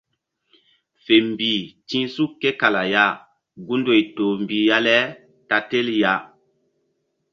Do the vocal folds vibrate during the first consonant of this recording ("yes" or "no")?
no